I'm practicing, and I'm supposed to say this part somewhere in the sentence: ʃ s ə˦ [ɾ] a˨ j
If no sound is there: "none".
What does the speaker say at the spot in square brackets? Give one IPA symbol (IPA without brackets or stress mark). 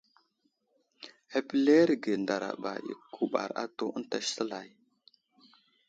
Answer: l